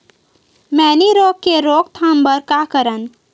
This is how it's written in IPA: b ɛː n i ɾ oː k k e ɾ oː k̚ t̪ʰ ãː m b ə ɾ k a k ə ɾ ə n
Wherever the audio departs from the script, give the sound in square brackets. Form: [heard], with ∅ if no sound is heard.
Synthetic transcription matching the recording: [m] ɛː n i ɾ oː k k e ɾ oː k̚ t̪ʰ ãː m b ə ɾ k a k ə ɾ ə n